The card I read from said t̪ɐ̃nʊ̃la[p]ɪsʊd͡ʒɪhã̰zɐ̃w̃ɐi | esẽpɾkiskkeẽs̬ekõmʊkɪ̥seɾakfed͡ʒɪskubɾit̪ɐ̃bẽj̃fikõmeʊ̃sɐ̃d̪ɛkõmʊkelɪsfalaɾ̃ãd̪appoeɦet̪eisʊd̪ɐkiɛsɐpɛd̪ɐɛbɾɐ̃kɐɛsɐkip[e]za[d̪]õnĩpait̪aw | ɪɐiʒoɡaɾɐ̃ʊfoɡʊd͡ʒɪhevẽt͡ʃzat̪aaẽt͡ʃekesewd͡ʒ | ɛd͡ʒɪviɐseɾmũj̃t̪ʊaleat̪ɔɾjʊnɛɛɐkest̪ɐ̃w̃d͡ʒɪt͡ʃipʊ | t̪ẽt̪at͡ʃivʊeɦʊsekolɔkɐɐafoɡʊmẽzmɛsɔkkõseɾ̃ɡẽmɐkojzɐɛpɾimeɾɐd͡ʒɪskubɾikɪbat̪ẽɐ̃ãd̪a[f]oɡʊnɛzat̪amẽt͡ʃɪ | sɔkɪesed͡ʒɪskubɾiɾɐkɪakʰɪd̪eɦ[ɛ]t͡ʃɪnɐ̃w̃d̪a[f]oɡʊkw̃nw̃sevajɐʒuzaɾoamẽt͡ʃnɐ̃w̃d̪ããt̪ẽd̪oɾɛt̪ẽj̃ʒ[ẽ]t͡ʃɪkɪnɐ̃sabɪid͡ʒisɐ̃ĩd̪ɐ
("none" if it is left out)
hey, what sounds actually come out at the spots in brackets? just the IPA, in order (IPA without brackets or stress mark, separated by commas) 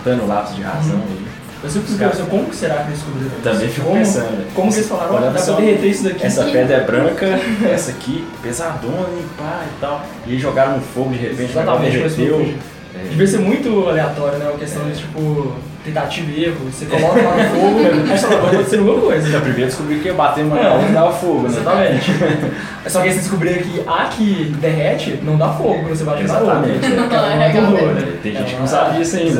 p, e, d̪, f, ɛ, f, ẽ